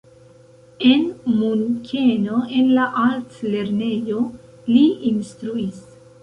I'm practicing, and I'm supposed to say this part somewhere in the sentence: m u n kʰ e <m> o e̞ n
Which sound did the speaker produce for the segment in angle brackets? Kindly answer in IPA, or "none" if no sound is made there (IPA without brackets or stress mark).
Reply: n